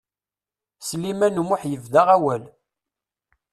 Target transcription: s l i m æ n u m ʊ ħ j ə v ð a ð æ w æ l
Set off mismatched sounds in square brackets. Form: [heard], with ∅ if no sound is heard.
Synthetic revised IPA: s l i m æ n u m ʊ ħ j ə v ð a [ʁ] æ w æ l